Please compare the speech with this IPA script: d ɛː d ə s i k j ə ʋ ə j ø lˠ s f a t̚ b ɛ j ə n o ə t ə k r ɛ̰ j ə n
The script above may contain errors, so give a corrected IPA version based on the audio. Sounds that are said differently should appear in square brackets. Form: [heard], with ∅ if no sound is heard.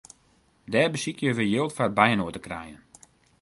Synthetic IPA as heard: d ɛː [b] ə s i k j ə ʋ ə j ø lˠ [t] f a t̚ b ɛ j ə n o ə t ə k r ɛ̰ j ə n

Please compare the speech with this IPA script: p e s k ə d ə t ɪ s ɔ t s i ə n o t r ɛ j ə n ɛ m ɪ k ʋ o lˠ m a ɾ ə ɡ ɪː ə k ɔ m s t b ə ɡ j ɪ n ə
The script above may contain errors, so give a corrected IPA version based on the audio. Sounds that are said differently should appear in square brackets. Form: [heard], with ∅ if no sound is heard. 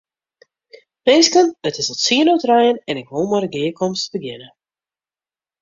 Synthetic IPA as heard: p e s k ə [n] ə t ɪ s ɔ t s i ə n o t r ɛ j ə n ɛ [n] ɪ k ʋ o lˠ m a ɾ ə ɡ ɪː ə k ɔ m s t b ə ɡ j ɪ n ə

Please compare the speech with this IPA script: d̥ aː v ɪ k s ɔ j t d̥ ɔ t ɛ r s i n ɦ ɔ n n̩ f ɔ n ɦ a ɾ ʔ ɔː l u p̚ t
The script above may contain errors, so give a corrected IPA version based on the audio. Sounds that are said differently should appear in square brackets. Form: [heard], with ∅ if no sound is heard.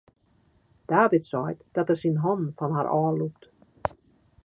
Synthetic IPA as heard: d̥ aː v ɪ [t] s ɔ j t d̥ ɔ t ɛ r s i n ɦ ɔ n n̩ f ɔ n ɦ a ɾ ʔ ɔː l u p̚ t

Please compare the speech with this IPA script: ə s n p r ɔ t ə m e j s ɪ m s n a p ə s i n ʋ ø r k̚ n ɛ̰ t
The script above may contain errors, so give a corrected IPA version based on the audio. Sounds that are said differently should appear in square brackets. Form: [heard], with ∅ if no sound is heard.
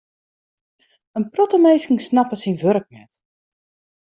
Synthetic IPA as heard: ə [∅] n p r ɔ t ə m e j s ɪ [ŋ] s n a p ə s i n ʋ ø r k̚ n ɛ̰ t

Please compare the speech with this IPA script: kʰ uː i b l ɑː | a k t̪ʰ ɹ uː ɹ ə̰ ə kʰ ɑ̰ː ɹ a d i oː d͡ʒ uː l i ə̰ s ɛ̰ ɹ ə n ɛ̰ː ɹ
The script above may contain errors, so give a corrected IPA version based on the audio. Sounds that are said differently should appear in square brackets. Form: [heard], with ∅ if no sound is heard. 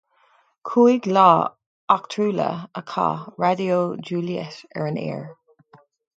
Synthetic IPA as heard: kʰ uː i [ɡ] l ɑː | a k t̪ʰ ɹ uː [l] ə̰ ə kʰ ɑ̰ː ɹ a d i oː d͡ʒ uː l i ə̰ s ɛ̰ ɹ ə n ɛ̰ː ɹ

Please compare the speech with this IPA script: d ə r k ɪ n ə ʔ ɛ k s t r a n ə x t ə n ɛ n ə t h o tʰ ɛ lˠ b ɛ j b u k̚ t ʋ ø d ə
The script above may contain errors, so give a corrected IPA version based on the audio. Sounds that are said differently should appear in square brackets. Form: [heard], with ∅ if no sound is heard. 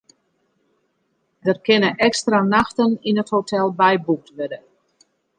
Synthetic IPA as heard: d ə r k ɪ n ə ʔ ɛ k s t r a n [a] x t ə n [i] n ə t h o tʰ ɛ lˠ b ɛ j b u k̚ t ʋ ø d ə

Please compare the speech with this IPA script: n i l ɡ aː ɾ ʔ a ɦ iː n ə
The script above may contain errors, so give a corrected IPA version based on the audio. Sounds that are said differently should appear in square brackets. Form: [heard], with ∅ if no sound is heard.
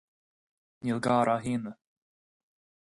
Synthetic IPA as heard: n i l ɡ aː ɾ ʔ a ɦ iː n ə

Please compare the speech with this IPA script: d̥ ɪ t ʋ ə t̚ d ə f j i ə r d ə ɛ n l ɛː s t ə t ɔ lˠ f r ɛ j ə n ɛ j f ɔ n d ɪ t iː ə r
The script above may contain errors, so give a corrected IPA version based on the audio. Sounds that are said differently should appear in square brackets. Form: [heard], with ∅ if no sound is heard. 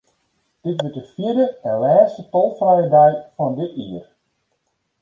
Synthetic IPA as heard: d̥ ɪ t ʋ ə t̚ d ə f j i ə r d ə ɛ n l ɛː s t ə t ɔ lˠ f r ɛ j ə [d] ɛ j f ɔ n d ɪ t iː ə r

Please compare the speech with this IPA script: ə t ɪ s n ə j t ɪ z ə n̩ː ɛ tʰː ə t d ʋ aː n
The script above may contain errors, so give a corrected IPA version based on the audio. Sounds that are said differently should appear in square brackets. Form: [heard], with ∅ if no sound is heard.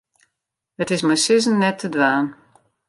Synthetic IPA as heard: ə t ɪ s [m] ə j [s] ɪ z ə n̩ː ɛ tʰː ə [∅] d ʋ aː n

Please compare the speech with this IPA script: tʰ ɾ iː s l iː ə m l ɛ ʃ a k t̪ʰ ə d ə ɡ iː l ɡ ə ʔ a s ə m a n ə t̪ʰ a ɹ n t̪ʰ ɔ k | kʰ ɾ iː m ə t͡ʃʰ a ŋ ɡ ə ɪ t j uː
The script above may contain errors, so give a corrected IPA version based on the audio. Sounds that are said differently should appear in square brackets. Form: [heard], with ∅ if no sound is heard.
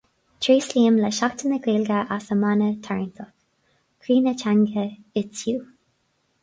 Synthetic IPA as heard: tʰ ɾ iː s l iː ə m l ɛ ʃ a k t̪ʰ ə [n] ə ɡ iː l ɡ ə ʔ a s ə m a n ə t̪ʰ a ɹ n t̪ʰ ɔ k | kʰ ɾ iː [n] ə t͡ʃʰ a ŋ ɡ ə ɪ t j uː

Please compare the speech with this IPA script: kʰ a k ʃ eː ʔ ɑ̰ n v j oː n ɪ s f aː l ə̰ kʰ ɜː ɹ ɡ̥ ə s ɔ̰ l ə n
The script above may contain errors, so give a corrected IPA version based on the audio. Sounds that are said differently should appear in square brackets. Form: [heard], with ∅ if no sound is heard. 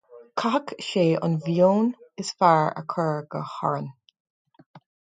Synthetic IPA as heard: kʰ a k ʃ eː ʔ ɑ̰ n v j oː n ɪ s f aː [ɹ] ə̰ kʰ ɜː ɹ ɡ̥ ə [h] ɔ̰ [ɹ] ə n

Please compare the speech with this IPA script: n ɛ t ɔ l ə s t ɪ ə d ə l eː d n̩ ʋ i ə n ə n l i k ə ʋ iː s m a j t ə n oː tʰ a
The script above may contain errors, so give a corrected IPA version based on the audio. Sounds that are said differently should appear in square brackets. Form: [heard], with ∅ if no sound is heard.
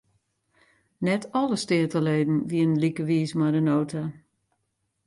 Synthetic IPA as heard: n ɛ t ɔ l ə s t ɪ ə [t] ə l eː d n̩ ʋ i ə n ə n l i k ə ʋ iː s m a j [d] ə n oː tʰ a

